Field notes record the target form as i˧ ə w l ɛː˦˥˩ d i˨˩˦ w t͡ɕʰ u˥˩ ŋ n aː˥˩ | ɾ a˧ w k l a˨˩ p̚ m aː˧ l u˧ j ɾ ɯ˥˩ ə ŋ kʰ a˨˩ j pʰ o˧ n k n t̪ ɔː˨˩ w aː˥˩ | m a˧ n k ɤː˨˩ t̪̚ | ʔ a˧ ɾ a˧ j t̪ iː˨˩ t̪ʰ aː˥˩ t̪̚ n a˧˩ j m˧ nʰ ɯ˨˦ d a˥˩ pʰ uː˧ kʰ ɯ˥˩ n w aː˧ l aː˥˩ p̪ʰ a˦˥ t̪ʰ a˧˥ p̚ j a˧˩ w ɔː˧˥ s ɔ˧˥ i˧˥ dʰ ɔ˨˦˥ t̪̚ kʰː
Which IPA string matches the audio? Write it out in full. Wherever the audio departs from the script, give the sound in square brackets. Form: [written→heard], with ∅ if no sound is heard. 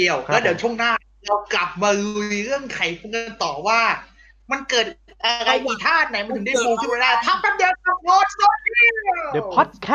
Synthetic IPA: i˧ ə w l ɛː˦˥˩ d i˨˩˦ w t͡ɕʰ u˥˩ ŋ n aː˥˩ | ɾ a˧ w k l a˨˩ p̚ m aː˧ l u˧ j ɾ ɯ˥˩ ə ŋ kʰ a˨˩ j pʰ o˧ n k n t̪ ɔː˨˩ w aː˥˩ | m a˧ n k ɤː˨˩ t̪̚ | ʔ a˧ ɾ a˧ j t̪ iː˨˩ t̪ʰ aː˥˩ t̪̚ n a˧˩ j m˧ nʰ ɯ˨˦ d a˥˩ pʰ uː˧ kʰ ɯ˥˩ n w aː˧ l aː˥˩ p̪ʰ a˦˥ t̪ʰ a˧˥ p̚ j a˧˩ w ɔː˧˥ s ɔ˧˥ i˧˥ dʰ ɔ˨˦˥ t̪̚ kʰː